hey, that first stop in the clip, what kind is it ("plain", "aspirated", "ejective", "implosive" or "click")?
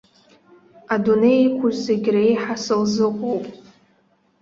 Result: plain